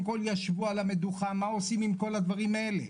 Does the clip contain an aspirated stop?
no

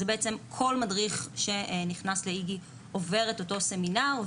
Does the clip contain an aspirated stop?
yes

